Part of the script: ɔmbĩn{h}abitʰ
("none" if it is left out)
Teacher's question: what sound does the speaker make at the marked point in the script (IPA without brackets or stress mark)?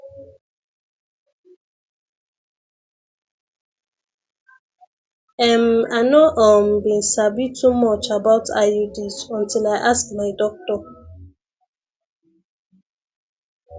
s